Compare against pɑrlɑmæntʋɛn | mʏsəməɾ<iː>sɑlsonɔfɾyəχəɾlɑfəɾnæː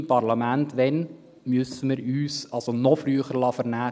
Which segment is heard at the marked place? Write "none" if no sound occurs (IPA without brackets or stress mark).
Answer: yː